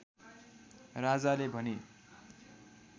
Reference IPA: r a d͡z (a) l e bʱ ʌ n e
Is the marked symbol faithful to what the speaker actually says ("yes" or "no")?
yes